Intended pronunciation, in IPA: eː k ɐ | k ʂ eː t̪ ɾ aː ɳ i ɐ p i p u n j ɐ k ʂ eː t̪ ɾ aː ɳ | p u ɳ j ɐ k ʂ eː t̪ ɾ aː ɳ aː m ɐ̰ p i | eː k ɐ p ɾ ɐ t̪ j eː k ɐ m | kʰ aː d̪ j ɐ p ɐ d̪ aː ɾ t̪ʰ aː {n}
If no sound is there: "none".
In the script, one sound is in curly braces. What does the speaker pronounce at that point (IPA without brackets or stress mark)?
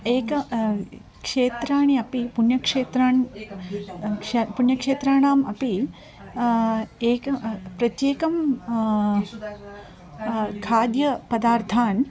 n